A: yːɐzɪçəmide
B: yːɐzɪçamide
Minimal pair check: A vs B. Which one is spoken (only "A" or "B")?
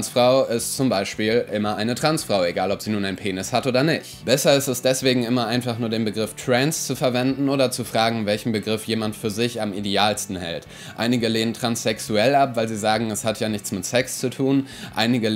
B